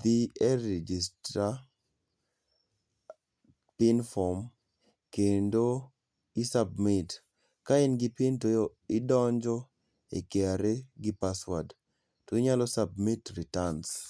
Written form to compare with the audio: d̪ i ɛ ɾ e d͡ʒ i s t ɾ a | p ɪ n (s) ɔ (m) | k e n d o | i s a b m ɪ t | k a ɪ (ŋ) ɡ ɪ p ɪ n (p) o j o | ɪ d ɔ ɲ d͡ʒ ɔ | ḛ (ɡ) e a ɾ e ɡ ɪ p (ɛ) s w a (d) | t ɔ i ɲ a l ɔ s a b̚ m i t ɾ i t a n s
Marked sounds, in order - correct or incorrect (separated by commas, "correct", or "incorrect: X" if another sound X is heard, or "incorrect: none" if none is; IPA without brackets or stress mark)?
incorrect: f, correct, incorrect: n, incorrect: t, incorrect: k, incorrect: a, correct